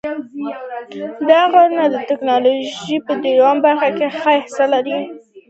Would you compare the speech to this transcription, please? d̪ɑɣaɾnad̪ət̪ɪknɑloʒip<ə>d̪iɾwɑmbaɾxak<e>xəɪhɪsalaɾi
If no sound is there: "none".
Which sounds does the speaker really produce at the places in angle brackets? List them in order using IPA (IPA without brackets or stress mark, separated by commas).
ə, e